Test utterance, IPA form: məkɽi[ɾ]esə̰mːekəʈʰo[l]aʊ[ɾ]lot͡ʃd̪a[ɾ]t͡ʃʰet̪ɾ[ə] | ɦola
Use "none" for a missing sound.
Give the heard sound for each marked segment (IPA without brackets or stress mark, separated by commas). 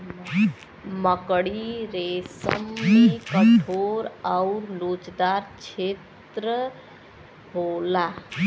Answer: ɾ, ɾ, ɾ, ɾ, ə